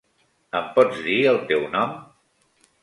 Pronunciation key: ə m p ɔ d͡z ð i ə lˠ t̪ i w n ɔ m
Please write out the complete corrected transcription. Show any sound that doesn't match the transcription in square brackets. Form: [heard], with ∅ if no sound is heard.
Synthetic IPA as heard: ə m p ɔ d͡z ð i ə lˠ t̪ [e] w n ɔ m